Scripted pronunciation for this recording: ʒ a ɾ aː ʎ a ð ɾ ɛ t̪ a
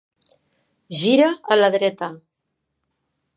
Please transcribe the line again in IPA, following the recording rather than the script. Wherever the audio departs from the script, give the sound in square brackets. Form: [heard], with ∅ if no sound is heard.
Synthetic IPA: ʒ [i] ɾ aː [l] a ð ɾ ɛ t̪ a